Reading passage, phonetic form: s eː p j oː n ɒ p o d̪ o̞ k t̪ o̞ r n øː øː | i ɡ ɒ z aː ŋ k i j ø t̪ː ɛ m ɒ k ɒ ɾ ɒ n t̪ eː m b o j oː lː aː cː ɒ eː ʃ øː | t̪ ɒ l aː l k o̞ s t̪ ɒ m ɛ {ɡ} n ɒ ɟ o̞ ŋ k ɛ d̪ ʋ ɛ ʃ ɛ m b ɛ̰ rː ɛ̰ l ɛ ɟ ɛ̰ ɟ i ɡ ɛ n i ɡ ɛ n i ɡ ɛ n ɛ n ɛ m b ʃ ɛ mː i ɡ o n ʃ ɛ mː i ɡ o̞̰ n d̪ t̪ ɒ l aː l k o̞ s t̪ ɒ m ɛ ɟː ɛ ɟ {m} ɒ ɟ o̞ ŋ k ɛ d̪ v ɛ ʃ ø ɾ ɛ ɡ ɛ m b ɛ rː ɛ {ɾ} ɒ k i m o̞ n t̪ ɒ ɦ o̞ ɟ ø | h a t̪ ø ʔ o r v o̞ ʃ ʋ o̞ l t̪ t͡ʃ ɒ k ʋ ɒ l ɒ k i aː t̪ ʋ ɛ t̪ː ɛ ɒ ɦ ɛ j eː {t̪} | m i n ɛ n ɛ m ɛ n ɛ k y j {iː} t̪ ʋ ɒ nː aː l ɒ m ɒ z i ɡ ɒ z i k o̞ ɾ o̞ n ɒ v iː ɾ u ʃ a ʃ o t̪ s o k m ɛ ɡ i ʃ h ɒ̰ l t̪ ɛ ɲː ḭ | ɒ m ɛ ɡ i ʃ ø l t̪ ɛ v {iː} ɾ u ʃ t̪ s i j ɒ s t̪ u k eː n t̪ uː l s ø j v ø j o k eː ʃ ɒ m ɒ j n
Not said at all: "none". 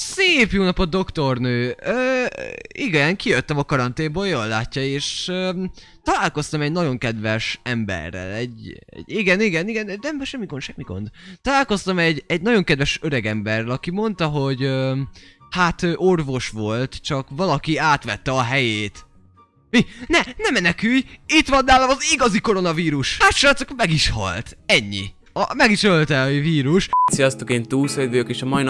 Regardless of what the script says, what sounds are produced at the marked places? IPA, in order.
ɟ, n, l, t̪, i, iː

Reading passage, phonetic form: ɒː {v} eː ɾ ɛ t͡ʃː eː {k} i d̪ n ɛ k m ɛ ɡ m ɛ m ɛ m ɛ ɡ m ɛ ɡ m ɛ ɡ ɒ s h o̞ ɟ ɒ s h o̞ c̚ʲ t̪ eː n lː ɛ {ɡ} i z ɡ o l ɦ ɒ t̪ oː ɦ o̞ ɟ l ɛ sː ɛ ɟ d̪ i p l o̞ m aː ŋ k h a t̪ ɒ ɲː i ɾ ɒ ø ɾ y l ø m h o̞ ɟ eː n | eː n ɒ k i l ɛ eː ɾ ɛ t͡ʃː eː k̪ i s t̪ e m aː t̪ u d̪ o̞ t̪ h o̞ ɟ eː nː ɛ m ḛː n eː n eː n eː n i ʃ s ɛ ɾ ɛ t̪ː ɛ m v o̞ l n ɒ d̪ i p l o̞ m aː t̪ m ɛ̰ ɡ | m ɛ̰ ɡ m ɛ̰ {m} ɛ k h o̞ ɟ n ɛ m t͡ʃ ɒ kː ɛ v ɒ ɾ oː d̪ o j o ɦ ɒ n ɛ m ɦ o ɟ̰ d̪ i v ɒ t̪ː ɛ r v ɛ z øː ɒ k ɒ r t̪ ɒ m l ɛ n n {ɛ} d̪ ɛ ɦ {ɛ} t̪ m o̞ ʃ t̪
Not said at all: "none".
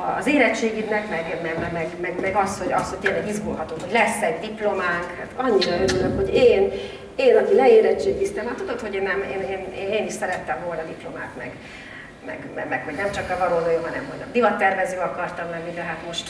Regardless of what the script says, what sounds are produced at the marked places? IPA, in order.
z, ɡ, ɡ, m, i, a

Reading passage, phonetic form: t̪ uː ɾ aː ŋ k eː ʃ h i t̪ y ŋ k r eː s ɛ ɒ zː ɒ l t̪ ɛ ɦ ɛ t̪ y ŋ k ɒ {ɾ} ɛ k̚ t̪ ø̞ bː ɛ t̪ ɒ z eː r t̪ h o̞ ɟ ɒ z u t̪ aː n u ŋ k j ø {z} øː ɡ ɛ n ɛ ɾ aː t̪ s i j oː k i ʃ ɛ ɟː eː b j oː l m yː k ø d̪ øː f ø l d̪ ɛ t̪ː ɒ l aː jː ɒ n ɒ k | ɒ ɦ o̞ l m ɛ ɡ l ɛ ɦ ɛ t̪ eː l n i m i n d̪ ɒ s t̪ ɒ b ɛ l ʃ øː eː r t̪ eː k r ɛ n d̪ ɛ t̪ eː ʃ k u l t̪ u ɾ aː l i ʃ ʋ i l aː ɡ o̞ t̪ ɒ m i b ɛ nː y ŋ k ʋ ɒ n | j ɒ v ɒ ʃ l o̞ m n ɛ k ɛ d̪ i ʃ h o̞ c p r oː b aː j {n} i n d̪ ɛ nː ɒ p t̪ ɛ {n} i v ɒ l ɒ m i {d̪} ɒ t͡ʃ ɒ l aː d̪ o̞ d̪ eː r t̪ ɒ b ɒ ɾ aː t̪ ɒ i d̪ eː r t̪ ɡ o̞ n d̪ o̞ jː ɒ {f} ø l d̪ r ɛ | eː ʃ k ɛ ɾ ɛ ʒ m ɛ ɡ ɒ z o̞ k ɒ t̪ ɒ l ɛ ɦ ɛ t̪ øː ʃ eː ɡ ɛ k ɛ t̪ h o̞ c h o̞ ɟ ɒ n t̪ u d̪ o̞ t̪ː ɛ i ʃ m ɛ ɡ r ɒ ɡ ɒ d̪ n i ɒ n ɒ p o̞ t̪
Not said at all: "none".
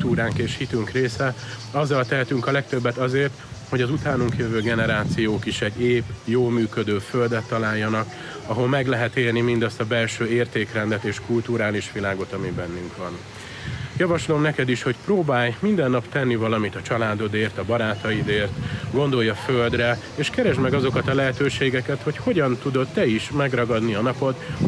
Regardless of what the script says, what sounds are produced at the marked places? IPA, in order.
l, v, m, nː, t̪, f

